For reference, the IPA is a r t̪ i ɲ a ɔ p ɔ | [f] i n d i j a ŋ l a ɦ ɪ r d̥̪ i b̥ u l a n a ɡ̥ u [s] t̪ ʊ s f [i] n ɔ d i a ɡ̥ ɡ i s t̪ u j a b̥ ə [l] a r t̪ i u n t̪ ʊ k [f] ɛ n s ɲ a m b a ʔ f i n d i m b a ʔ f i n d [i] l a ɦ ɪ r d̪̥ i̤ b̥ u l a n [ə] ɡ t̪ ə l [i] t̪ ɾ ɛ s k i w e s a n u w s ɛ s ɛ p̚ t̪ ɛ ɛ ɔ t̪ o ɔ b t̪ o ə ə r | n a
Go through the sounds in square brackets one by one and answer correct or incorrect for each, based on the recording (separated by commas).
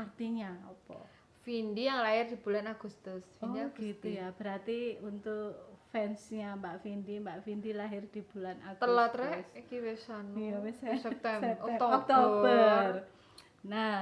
correct, correct, correct, incorrect, correct, correct, incorrect, incorrect